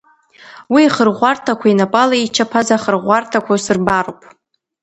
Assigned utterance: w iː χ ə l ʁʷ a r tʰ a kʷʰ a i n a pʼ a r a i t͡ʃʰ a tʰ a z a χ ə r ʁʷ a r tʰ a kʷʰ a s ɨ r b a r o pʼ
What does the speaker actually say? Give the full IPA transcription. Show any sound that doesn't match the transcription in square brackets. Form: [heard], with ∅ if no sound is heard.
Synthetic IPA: w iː χ ə [r] ʁʷ a r tʰ a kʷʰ a i n a pʼ a [l] a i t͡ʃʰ a [pʰ] a z a χ ə r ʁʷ a r tʰ a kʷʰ a s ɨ r b a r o pʼ